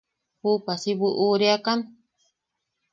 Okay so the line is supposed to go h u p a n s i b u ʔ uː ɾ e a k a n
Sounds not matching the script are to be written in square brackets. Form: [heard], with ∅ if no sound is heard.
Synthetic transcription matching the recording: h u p a [∅] s i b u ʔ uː ɾ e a k a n